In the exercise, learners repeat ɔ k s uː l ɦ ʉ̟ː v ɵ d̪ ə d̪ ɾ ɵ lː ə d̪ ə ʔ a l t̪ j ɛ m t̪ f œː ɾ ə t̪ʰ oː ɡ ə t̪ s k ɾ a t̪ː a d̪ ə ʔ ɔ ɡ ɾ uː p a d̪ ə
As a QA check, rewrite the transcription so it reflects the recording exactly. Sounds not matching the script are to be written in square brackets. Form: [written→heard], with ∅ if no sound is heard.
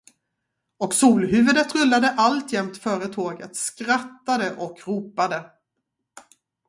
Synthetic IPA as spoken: ɔ k s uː l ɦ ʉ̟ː v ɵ d̪ ə [d̪→t̪] ɾ ɵ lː [ə→a] d̪ ə ʔ a l t̪ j ɛ m t̪ f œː ɾ ə t̪ʰ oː ɡ ə t̪ s k ɾ a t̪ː a d̪ ə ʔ ɔ [ɡ→k] ɾ uː p a d̪ ə